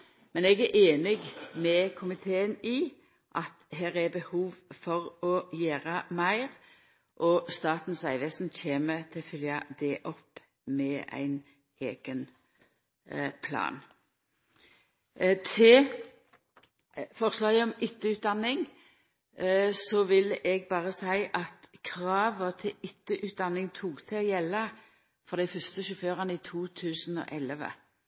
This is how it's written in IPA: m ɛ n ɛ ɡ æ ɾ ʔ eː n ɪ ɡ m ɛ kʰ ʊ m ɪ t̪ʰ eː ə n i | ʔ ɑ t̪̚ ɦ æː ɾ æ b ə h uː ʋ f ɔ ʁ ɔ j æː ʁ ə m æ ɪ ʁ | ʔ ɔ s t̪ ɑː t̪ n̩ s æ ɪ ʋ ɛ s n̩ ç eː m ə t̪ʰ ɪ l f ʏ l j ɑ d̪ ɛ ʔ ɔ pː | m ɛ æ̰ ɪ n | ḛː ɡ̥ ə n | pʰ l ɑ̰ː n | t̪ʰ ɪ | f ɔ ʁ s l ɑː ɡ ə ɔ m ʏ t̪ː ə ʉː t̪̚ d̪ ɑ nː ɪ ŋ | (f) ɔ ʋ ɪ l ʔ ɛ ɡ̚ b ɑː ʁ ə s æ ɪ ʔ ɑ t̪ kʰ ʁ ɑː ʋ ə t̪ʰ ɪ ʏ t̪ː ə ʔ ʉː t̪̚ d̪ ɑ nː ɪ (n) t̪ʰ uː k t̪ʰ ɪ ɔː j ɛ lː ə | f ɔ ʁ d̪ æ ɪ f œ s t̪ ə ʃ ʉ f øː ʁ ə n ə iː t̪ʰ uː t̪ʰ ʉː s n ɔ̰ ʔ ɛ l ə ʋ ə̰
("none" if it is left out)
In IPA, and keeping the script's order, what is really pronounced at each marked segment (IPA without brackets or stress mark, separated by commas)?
s, ŋ